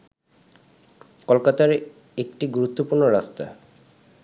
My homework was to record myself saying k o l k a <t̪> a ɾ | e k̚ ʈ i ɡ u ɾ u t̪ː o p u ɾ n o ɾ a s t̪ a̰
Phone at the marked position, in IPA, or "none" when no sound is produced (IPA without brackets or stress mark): t̪